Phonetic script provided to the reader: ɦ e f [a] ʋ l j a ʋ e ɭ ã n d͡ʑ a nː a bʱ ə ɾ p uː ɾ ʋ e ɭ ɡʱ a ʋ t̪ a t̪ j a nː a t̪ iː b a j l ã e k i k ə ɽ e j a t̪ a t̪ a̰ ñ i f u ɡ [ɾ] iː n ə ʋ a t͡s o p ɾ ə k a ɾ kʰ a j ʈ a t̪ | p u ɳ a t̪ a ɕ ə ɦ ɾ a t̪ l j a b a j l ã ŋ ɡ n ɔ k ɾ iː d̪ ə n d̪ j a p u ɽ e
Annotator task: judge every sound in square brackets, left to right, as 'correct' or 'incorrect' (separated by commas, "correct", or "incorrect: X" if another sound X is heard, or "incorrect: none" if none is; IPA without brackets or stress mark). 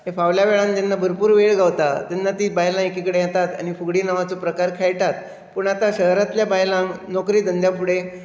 correct, incorrect: ɽ